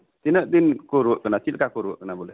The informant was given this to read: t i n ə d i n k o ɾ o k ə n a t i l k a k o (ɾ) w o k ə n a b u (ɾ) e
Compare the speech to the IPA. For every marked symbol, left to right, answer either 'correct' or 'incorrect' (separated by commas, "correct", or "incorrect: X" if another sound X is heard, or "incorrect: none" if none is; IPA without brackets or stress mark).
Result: correct, incorrect: l